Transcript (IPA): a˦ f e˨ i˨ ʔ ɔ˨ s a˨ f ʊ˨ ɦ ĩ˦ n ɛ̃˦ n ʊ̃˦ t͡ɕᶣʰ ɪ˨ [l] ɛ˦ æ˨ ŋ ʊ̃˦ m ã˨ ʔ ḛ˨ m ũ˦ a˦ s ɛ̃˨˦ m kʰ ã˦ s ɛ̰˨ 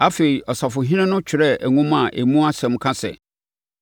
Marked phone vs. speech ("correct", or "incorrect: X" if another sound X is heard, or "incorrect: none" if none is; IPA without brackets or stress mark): incorrect: ɾ